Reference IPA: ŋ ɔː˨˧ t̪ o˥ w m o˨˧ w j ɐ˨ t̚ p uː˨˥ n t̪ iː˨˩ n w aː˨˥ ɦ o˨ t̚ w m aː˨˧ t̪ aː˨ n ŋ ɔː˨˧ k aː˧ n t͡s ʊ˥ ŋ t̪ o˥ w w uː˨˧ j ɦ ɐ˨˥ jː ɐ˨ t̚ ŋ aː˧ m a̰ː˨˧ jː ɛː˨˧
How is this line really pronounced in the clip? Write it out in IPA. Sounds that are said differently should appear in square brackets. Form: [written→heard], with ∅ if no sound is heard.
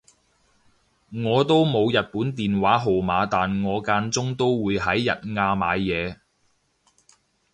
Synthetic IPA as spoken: ŋ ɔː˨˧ t̪ o˥ w m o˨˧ w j ɐ˨ t̚ p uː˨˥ n t̪ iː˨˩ n w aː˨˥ ɦ o˨ [t̚→∅] w m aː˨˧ t̪ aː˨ n ŋ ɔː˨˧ k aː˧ n t͡s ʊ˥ ŋ t̪ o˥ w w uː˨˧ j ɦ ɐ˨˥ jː ɐ˨ t̚ ŋ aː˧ m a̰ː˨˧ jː ɛː˨˧